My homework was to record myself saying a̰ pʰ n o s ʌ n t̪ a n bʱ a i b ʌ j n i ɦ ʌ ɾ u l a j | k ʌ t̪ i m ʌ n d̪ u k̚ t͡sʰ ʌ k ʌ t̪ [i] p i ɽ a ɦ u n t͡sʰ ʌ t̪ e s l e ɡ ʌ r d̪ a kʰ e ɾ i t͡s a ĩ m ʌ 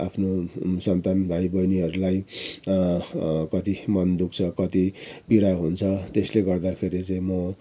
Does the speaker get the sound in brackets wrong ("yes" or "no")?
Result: no